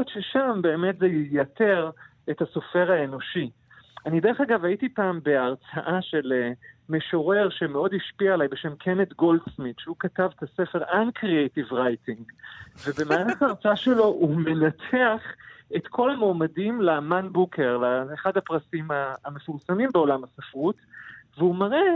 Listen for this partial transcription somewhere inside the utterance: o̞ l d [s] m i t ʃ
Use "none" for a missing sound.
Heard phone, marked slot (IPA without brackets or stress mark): s